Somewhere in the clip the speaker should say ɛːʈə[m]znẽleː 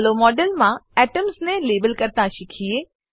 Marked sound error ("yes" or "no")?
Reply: no